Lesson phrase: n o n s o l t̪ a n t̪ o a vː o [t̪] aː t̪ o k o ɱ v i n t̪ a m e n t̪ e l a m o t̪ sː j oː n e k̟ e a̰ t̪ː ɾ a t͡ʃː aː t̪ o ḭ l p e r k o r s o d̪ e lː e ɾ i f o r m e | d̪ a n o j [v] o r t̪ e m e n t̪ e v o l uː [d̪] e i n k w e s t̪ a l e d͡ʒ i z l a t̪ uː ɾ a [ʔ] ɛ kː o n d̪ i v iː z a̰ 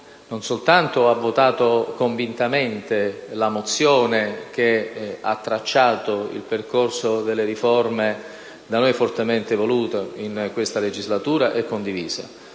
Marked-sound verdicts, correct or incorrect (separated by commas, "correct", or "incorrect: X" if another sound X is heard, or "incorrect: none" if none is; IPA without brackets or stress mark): correct, incorrect: f, incorrect: t̪, correct